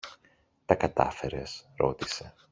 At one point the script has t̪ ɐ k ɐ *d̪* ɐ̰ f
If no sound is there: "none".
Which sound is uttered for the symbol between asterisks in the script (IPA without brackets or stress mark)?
t̪